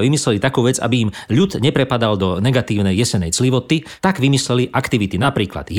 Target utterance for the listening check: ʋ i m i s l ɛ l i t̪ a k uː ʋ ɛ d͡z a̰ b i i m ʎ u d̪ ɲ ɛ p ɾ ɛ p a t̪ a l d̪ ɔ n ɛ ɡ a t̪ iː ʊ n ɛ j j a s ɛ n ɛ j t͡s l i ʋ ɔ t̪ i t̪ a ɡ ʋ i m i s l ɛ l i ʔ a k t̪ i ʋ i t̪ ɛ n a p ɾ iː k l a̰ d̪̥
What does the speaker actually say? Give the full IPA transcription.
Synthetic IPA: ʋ i m i s l ɛ l i t̪ a k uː ʋ ɛ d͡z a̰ b i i m ʎ u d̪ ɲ ɛ p ɾ ɛ p a d̪ a l d̪ ɔ n ɛ ɡ a t̪ iː ʊ n ɛ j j ɛ s ɛ n ɛ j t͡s l i ʋ ɔ t̪ i t̪ a ɡ ʋ i m i s l ɛ l i ʔ a k t̪ i ʋ i t̪ i n a p ɾ iː k l a̰ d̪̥